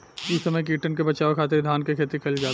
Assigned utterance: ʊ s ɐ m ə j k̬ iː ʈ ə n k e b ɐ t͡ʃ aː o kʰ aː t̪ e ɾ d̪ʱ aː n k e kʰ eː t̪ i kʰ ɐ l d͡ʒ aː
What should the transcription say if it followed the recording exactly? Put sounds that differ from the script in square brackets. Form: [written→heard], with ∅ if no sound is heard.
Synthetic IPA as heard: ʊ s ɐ m ə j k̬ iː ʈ ə n k e b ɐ t͡ʃ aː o kʰ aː t̪ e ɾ d̪ʱ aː n k e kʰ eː t̪ i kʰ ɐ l d͡ʒ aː